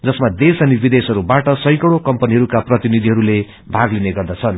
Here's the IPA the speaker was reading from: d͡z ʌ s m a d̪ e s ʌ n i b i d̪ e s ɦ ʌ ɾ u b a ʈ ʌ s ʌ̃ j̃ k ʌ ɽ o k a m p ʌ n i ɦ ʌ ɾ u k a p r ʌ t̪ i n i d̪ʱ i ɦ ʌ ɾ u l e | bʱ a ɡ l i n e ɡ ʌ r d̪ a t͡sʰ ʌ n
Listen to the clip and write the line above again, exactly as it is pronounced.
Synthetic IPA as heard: d͡z ʌ s m a d̪ e s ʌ n i b i d̪ e s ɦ ʌ ɾ u b a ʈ ʌ s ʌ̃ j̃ k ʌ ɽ o k ʌ m p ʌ n i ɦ ʌ ɾ u k a p r ʌ t̪ i n i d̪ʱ i ɦ ʌ ɾ u l e | bʱ a ɡ l i n e ɡ ʌ r d̪ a t͡sʰ ʌ n